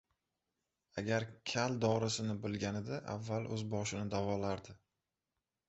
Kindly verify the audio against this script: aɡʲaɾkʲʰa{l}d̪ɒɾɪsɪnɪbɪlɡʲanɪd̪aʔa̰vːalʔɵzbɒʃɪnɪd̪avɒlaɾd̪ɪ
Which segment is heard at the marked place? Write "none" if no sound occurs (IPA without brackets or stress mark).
l